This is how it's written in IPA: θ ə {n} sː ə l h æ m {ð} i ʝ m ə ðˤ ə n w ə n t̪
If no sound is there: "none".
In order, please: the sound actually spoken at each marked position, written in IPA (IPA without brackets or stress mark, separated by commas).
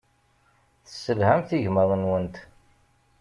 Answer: none, θ